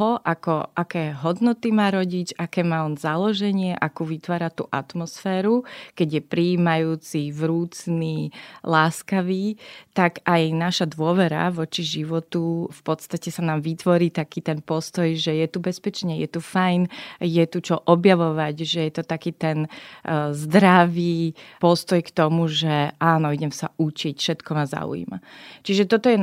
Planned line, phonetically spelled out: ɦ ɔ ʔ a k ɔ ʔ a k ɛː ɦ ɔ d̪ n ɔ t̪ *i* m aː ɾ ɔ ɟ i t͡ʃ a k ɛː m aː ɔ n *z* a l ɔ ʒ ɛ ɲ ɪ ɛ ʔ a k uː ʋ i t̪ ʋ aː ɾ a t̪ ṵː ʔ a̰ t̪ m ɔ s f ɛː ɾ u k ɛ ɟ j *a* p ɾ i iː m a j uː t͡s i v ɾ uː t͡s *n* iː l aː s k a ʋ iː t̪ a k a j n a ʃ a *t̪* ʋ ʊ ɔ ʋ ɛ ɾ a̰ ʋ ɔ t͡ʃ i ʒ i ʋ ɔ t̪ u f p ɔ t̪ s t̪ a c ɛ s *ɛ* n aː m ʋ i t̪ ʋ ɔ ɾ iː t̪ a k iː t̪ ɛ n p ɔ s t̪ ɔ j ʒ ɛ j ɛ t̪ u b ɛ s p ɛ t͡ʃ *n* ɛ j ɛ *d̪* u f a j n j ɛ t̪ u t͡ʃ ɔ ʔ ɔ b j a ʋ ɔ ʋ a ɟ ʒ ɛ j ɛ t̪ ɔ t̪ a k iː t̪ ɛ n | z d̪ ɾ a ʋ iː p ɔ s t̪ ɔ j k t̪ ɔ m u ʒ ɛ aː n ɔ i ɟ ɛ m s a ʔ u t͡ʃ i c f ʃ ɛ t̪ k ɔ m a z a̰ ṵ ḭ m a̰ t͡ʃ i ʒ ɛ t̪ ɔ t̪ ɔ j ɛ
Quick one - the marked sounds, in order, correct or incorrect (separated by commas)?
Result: correct, correct, incorrect, correct, incorrect, incorrect, incorrect, incorrect